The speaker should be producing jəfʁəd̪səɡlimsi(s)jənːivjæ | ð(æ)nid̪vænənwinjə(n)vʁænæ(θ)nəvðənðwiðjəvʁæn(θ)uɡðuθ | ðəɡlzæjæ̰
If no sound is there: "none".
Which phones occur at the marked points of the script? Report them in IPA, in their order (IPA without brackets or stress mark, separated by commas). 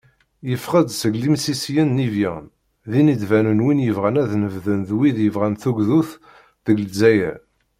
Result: s, i, none, ð, θ